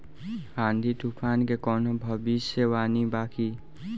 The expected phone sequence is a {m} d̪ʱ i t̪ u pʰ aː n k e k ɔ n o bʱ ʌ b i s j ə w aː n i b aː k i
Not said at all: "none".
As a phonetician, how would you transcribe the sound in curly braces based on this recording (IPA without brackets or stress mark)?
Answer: n